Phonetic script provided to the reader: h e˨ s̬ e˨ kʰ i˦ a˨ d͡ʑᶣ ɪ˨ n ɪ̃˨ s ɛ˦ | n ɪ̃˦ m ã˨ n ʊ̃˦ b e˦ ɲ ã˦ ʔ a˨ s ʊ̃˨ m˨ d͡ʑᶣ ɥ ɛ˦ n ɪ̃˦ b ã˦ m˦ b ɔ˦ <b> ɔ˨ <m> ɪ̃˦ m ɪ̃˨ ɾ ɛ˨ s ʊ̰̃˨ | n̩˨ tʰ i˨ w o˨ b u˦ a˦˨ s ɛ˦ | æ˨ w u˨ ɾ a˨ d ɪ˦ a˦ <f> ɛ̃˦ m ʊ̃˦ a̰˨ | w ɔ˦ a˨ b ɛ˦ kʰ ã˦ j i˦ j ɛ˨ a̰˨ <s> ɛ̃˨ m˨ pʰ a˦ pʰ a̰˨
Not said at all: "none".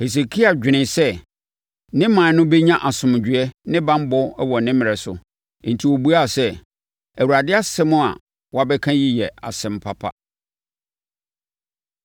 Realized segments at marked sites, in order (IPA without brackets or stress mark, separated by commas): w, n, s, s